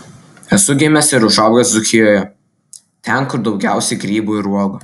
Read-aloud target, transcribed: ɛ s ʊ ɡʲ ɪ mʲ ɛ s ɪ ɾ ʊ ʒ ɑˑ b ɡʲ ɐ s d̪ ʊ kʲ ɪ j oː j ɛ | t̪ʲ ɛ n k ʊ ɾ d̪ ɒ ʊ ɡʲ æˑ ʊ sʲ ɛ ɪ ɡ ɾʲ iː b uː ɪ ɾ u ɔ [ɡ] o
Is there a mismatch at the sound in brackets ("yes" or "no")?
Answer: no